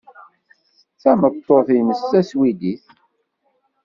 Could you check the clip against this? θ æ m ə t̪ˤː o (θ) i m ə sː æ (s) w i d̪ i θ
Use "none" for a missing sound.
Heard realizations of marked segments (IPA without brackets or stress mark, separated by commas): θ, s